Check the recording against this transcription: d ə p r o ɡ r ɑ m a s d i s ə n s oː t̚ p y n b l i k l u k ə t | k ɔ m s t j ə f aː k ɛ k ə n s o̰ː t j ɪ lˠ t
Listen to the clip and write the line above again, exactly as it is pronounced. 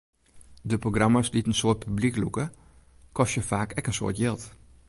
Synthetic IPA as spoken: d ə p r o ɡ r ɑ m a s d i t ə n s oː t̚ p y b l i k l u k ə | k ɔ s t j ə f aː k ɛ k ə n s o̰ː t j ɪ lˠ t